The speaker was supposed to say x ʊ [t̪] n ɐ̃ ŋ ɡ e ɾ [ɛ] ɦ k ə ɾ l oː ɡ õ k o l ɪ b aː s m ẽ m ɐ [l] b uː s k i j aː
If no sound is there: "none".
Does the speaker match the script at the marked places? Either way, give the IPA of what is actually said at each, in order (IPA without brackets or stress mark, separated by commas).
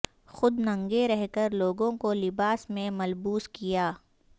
d̪, ɛ, l